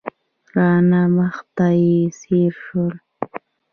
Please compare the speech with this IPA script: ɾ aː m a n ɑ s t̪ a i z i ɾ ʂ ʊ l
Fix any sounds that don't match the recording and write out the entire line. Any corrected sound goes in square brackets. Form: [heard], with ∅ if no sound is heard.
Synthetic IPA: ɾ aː [n] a [m] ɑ [χ] t̪ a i [s] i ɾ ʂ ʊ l